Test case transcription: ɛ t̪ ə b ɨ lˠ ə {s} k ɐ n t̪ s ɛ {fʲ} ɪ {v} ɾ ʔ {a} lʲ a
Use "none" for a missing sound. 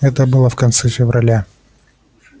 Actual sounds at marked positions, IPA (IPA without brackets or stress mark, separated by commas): f, fʲ, v, ɐ